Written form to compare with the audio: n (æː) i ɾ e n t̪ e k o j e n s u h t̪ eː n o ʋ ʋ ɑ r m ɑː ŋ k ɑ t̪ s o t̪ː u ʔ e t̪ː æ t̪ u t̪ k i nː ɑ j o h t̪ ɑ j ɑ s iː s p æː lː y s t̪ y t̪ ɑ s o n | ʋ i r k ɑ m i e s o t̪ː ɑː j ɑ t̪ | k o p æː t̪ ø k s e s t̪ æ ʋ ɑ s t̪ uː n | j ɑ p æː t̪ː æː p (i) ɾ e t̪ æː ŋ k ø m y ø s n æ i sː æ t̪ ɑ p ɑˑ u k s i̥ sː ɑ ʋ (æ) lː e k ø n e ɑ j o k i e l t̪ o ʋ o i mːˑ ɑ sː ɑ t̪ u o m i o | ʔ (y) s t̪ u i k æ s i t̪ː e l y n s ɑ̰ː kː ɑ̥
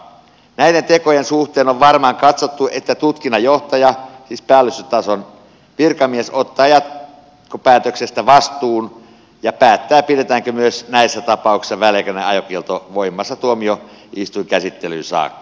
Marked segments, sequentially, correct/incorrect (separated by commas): incorrect, correct, correct, incorrect